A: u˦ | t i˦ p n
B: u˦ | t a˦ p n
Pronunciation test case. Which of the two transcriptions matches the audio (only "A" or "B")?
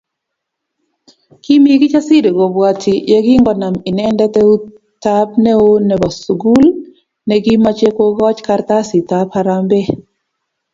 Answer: B